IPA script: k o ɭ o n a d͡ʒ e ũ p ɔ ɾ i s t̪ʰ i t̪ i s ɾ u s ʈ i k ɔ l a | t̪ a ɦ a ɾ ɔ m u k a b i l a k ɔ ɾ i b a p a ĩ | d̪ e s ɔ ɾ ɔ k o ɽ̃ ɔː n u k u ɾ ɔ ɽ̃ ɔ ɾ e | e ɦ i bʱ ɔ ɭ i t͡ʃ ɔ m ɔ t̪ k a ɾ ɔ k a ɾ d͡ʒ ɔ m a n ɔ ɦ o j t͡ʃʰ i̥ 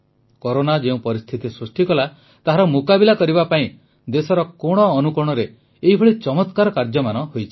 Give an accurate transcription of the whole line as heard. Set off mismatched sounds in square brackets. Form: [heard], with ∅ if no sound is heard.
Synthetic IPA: k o [ɾ] o n a d͡ʒ e ũ p ɔ ɾ i s t̪ʰ i t̪ i s ɾ u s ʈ i k ɔ l a | t̪ a ɦ a ɾ ɔ m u k a b i l a k ɔ ɾ i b a p a ĩ | d̪ e s ɔ ɾ ɔ k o ɽ̃ ɔː n u k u ɾ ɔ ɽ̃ ɔ ɾ e | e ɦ i bʱ ɔ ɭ i t͡ʃ ɔ m ɔ t̪ k a ɾ ɔ k a ɾ d͡ʒ ɔ m a n ɔ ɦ o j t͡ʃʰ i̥